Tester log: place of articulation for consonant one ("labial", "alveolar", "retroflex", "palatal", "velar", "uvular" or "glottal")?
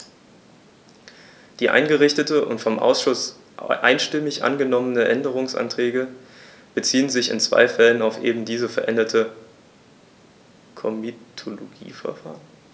alveolar